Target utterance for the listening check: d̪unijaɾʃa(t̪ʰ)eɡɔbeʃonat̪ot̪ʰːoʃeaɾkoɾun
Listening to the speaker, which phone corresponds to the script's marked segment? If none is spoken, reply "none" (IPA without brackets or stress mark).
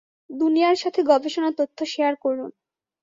t̪ʰ